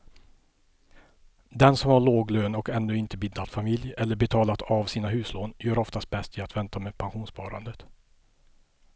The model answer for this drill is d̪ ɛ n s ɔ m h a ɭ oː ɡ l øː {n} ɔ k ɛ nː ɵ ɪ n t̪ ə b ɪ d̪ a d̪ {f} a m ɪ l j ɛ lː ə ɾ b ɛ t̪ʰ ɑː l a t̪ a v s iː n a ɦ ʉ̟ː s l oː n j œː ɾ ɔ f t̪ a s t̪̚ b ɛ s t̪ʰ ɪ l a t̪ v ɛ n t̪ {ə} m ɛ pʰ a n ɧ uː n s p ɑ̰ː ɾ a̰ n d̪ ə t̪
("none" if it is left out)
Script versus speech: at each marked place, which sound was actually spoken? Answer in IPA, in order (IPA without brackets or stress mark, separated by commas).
n, f, a